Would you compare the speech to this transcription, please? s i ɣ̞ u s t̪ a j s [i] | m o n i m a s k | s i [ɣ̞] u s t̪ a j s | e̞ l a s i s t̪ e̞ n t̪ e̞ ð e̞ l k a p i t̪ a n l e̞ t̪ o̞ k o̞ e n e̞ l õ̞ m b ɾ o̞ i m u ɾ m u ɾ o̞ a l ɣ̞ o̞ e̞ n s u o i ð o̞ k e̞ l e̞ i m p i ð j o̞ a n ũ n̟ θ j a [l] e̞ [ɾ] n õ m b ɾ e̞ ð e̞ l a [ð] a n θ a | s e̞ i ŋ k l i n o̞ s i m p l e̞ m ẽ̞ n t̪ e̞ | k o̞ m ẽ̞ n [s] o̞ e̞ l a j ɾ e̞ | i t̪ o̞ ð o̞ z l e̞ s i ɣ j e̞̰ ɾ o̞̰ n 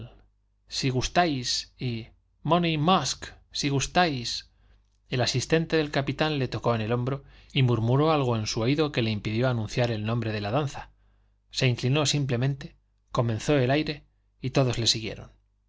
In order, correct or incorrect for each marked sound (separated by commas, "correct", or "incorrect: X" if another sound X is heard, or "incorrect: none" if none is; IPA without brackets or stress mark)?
correct, correct, incorrect: ɾ, incorrect: l, correct, incorrect: θ